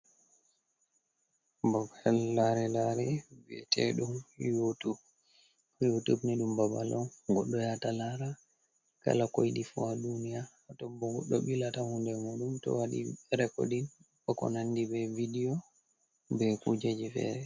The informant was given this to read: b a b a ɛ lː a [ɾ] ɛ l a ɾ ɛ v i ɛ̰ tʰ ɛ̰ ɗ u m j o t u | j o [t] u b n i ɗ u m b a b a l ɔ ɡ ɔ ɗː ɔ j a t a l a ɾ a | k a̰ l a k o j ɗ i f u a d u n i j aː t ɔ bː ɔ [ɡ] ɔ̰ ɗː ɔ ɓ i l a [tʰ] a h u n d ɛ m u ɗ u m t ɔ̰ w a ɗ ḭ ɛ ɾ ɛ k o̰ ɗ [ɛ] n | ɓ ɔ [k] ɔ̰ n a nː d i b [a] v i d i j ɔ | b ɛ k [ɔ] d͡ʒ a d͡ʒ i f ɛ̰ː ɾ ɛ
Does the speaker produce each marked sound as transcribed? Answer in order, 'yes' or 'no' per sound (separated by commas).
yes, yes, yes, no, no, yes, no, no